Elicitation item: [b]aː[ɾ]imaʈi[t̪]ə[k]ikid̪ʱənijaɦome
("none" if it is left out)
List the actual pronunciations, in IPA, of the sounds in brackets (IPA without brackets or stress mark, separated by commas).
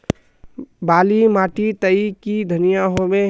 b, l, t̪, none